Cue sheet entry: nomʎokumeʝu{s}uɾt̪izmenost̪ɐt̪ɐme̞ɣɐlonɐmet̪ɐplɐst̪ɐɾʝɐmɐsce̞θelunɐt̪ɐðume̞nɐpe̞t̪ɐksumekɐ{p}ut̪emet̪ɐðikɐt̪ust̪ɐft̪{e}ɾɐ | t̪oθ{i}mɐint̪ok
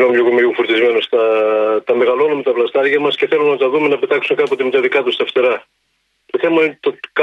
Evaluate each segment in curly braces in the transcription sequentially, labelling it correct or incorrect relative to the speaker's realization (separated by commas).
incorrect, correct, correct, incorrect